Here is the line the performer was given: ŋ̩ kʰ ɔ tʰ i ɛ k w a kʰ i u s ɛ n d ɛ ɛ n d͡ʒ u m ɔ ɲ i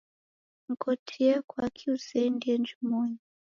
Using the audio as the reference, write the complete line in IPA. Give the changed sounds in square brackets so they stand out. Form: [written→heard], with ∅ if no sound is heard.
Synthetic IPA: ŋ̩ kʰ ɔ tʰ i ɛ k w a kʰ i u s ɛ n d [ɛ→i] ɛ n d͡ʒ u m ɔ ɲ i